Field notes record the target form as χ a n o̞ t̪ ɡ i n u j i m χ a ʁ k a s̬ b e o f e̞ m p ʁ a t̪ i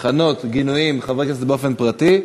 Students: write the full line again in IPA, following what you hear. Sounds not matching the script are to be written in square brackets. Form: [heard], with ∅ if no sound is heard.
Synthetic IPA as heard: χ a n o̞ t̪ ɡ i n u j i m χ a [v] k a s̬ b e o f e̞ [n] p ʁ a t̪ i

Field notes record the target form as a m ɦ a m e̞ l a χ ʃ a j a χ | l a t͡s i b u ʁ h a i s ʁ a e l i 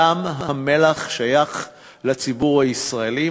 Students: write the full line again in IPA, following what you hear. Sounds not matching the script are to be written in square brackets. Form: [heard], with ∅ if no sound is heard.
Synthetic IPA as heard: a m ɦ a m e̞ l a χ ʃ a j a χ | l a t͡s i b u ʁ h a i s ʁ a e l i

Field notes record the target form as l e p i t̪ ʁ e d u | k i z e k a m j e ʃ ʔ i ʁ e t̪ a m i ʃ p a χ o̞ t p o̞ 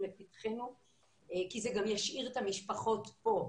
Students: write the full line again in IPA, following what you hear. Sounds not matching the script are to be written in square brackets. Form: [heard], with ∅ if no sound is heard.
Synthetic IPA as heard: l e p i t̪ [χ] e [n] u | k i z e [ɡ] a m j [a] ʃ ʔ i ʁ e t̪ a m i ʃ p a χ o̞ t p o̞

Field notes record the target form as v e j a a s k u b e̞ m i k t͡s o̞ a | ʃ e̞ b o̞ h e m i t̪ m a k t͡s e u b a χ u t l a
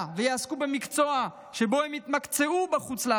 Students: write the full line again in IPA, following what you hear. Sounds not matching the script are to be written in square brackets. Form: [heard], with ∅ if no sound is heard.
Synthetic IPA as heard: v e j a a s k u b e̞ m i k t͡s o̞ a | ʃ e̞ b o̞ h e m i t̪ m a k t͡s e u b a χ u [t͡s] l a

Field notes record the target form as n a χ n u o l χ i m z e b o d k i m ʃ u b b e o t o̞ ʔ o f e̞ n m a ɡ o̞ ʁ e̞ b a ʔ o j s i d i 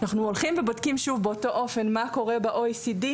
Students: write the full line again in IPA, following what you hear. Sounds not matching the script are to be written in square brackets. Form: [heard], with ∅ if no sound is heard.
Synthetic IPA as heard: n a χ n u o l χ i m [v] e b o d k i m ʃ u [v] b e o t o̞ ʔ o f e̞ n m a [k] o̞ ʁ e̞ b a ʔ o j s i d i

